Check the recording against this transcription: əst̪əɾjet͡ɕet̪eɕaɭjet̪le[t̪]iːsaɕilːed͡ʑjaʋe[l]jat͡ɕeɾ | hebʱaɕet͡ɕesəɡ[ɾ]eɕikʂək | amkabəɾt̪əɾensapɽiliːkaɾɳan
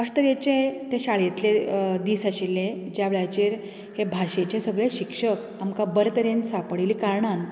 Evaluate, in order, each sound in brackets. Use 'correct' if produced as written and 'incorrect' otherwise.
incorrect, incorrect, incorrect

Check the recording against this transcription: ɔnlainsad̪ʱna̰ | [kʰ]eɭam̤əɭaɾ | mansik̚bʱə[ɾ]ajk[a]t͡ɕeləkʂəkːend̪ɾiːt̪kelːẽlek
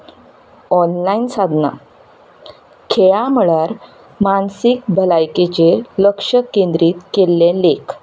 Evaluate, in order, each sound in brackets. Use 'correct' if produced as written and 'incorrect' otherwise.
correct, incorrect, incorrect

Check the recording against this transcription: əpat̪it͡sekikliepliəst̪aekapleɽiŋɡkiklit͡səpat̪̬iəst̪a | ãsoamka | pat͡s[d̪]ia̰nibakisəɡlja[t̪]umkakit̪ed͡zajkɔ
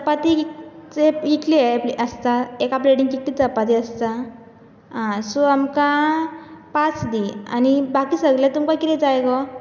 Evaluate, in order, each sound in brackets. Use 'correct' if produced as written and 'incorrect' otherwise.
correct, correct

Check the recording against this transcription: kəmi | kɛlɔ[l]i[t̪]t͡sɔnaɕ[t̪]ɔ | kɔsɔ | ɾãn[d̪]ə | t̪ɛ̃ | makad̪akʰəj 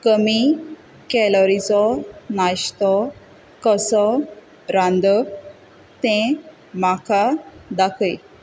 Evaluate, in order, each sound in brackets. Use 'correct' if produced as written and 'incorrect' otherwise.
incorrect, incorrect, correct, correct

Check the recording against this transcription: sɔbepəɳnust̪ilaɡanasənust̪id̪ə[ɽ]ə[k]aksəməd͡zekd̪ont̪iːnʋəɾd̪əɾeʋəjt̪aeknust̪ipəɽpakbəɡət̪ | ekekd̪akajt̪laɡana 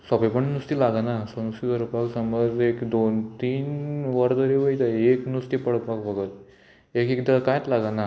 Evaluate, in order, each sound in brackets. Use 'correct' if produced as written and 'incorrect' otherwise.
incorrect, incorrect

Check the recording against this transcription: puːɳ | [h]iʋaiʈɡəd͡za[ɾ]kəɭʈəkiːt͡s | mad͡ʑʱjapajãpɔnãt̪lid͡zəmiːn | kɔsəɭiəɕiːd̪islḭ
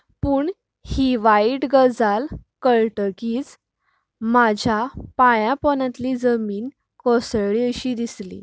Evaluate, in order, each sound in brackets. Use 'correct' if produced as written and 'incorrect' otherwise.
correct, incorrect

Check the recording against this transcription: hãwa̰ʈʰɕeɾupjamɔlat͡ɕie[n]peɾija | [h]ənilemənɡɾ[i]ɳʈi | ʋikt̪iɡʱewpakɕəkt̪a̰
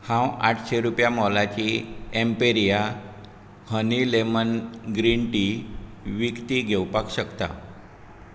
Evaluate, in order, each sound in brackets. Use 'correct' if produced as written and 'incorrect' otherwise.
incorrect, correct, correct

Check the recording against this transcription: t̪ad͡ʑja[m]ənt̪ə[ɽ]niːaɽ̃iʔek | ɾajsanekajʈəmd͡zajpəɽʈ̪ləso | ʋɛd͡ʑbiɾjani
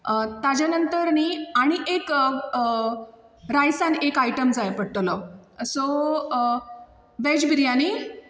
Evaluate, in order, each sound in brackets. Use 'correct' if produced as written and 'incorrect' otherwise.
incorrect, incorrect

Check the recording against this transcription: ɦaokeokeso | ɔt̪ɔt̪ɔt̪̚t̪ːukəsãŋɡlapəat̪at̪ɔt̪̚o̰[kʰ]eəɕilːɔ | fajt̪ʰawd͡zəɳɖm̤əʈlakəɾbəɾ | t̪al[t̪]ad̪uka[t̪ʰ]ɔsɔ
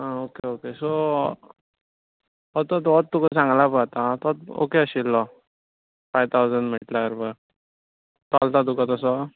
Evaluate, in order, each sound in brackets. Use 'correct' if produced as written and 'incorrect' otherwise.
incorrect, correct, incorrect

